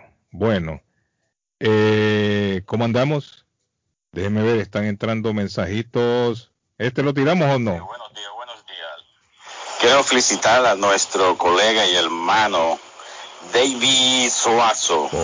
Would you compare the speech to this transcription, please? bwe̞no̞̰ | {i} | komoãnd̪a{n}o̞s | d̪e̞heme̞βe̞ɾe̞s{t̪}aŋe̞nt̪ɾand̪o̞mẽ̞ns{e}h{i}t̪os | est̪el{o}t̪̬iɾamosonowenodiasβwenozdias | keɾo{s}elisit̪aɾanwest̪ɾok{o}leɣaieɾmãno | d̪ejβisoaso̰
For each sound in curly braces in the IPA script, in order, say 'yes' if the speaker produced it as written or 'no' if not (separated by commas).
no, no, yes, no, yes, yes, no, yes